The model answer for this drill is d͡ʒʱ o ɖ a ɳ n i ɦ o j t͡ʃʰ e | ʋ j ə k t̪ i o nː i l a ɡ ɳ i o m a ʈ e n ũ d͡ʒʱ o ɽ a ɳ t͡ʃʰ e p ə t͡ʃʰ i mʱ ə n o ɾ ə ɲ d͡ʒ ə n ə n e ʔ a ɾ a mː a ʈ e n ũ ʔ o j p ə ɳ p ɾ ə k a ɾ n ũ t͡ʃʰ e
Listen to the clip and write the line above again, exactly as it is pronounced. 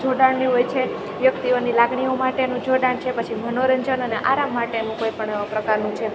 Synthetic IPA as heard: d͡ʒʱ o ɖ a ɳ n i ɦ o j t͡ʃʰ e | ʋ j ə k t̪ i o n i l a ɡ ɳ i o m a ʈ e n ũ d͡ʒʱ o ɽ a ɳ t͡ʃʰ e p ə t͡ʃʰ i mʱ ə n o ɾ ə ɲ d͡ʒ ə n ə n e ʔ a ɾ a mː a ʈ e n ũ k o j p ə ɳ p ɾ ə k a ɾ n ũ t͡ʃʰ e